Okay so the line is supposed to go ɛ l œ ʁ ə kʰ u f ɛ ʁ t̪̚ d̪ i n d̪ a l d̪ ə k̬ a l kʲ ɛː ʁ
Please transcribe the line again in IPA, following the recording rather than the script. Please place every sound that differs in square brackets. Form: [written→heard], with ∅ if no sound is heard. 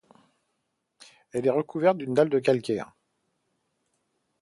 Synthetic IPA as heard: ɛ l [œ→ɛ] ʁ ə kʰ u [f→v] ɛ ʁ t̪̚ d̪ [i→y] n d̪ a l d̪ ə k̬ a l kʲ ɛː ʁ